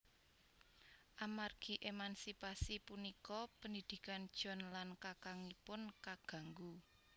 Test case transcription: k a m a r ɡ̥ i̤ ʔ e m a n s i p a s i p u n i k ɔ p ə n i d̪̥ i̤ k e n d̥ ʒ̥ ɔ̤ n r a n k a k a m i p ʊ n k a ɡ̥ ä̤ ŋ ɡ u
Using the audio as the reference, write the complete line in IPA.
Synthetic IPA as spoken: ʔ a m a r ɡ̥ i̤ ʔ e m a n s i p a s i p u n i k ɔ p ə n i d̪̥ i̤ k a n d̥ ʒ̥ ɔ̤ n l a n k a k a ŋ i p ʊ n k a ɡ̥ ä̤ ŋ ɡ u